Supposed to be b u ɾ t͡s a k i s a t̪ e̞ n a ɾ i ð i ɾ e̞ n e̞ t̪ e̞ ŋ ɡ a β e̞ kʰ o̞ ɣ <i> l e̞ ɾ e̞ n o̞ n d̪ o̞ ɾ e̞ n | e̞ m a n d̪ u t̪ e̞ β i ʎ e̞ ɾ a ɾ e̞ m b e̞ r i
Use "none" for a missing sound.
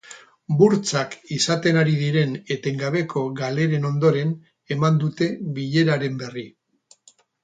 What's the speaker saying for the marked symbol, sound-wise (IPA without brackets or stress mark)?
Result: a